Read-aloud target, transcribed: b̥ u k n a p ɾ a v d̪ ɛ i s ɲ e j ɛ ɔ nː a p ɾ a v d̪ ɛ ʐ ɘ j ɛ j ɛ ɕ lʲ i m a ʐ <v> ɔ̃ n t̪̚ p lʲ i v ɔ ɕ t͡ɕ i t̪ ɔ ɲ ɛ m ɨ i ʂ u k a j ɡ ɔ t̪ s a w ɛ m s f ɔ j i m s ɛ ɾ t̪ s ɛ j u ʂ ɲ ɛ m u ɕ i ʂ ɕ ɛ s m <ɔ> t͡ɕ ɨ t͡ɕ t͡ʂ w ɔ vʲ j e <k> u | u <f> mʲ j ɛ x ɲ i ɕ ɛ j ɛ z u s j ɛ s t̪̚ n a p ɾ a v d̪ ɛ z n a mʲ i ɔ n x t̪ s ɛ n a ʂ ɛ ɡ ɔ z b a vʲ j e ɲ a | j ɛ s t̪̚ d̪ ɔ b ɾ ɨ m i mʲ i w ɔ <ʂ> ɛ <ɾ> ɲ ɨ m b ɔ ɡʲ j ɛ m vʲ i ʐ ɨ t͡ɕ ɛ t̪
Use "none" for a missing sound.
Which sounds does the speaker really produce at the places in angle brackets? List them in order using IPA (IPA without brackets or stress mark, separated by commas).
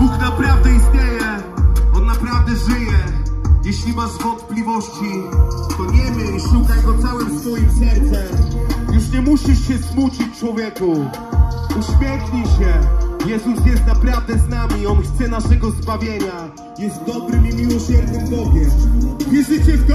v, u, k, ɕ, ɕ, ɾ